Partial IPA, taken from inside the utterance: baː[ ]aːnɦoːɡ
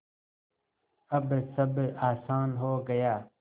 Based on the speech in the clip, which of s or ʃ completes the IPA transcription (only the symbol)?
s